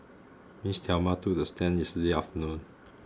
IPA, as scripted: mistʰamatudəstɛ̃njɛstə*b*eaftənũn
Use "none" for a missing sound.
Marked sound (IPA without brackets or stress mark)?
d